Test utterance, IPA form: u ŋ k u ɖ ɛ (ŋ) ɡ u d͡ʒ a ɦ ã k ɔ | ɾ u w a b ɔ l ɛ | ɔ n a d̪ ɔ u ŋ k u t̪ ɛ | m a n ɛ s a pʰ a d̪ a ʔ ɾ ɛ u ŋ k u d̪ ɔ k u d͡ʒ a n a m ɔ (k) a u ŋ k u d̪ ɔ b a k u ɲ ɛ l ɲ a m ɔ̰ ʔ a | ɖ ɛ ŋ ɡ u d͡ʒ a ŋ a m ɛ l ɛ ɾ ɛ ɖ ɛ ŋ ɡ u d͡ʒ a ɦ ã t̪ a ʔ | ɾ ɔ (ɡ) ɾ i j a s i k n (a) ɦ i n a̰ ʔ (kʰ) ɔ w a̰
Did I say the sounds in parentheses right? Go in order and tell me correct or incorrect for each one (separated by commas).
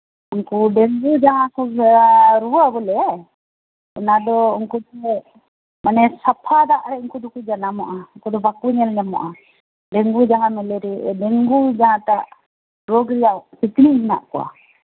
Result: correct, incorrect, correct, incorrect, incorrect